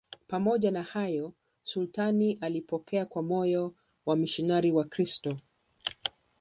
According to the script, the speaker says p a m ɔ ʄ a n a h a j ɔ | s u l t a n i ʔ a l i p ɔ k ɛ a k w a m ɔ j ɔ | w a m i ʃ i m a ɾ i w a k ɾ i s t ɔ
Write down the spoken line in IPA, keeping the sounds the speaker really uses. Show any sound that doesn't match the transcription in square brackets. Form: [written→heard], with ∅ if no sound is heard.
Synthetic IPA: p a m ɔ ʄ a n a h a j ɔ | s u l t a n i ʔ a l i p ɔ k ɛ a k w a m ɔ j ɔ | w a m i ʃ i [m→n] a ɾ i w a k ɾ i s t ɔ